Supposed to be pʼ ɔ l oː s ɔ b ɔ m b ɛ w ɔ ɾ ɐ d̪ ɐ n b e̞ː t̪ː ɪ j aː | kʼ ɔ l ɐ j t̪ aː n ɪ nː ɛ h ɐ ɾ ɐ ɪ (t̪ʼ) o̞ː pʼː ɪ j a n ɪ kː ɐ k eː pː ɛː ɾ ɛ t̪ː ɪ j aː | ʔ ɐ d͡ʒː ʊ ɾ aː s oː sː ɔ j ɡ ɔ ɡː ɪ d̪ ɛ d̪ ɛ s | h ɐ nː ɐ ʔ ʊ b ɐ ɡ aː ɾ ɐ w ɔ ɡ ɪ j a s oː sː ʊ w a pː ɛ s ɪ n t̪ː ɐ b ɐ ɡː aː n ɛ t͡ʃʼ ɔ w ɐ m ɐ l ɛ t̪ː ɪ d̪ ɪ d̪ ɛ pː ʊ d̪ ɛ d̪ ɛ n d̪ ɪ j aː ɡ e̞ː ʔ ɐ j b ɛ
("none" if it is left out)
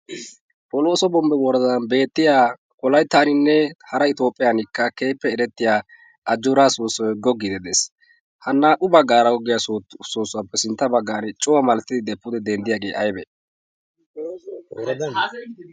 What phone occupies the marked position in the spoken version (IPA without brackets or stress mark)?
t̪